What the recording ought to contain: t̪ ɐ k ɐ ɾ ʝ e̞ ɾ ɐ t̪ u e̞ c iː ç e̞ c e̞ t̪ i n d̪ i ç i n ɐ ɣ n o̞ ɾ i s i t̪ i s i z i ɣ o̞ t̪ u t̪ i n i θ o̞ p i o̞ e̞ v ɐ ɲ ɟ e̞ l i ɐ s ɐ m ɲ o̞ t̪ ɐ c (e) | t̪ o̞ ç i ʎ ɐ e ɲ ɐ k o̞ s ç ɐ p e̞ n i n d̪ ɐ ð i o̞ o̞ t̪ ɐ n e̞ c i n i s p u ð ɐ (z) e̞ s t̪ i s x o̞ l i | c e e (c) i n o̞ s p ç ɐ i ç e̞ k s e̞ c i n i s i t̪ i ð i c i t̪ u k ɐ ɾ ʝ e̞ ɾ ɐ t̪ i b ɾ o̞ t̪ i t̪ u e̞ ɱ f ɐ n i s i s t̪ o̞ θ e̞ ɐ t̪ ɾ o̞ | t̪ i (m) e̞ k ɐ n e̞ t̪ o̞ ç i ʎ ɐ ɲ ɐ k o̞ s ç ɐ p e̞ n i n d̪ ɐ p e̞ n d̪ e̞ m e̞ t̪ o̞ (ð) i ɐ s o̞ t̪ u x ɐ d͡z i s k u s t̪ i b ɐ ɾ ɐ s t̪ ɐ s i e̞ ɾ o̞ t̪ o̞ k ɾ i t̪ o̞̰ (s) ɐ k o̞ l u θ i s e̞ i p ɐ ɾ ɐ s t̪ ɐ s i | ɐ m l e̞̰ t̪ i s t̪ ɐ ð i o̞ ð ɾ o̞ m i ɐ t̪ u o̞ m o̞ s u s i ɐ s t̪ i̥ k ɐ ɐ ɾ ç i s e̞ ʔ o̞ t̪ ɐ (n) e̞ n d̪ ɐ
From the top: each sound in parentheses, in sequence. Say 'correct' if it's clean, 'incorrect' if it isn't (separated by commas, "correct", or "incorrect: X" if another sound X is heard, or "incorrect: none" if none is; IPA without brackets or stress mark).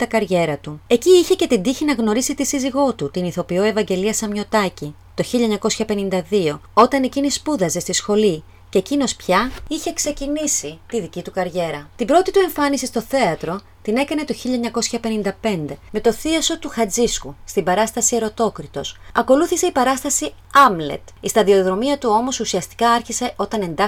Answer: incorrect: i, correct, correct, incorrect: n, incorrect: θ, correct, correct